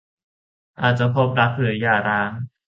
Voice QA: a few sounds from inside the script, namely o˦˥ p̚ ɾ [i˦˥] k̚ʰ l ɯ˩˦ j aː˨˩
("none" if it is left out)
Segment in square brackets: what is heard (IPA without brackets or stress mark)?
a˦˥